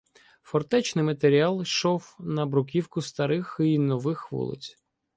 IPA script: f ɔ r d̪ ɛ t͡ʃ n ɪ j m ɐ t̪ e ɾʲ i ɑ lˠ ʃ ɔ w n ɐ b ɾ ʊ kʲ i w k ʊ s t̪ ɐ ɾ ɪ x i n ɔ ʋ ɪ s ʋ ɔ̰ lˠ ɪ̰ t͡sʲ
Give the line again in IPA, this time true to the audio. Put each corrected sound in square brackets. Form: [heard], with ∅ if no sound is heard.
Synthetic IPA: f ɔ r [t̪] ɛ t͡ʃ n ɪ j m ɐ t̪ e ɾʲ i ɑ lˠ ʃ ɔ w n ɐ b ɾ ʊ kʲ i w k ʊ s t̪ ɐ ɾ ɪ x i n ɔ ʋ ɪ [x] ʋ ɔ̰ lˠ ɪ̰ t͡sʲ